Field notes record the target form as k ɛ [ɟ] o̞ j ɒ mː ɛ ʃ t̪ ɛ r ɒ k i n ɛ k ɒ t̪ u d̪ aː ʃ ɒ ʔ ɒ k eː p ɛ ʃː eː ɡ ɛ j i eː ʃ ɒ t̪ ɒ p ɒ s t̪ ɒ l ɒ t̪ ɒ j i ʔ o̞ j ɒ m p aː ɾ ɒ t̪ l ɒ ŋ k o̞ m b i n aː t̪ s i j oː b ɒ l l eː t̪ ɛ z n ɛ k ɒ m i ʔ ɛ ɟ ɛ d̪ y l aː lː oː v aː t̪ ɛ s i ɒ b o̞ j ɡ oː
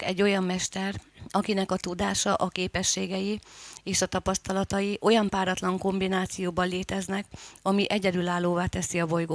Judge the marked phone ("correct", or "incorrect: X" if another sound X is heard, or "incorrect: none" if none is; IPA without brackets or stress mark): incorrect: ɟː